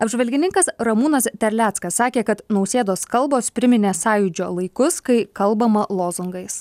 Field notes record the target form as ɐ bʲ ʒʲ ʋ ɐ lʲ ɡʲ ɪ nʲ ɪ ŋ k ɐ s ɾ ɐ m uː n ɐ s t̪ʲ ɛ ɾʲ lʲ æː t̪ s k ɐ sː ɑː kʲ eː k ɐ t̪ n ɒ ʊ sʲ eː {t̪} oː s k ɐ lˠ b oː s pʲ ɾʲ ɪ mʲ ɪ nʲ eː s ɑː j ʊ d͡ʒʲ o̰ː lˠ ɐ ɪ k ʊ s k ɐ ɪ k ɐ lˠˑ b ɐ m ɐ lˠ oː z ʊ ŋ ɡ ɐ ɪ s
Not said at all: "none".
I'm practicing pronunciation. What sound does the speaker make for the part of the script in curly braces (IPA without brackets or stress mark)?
d̪